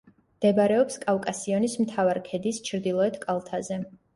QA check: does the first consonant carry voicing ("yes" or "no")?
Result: yes